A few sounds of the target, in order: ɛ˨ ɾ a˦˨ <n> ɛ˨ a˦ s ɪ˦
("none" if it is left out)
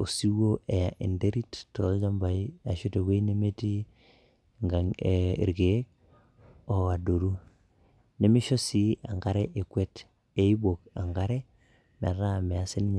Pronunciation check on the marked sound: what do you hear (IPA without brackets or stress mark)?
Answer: m